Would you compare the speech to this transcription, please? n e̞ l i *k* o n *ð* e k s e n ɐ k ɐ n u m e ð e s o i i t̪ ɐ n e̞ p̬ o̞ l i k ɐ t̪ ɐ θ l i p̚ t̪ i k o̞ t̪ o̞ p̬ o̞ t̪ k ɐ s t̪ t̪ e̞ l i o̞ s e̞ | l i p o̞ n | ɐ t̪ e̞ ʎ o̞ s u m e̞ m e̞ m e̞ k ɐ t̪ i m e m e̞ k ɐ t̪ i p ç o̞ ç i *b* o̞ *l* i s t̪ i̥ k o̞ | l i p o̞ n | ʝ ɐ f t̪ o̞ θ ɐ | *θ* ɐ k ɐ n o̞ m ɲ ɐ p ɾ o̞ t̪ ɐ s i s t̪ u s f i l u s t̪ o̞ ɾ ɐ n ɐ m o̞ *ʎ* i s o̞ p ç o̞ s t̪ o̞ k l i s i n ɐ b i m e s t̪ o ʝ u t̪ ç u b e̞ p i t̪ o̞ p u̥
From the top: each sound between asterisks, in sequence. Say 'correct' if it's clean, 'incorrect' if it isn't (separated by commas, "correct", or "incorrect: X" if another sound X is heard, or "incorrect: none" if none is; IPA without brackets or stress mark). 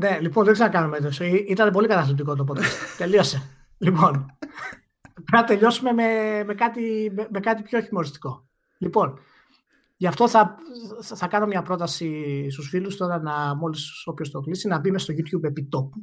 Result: incorrect: p, correct, incorrect: m, incorrect: ɾ, correct, incorrect: l